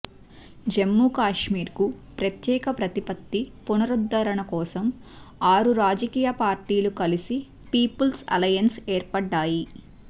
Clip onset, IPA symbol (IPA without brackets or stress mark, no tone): d͡ʒ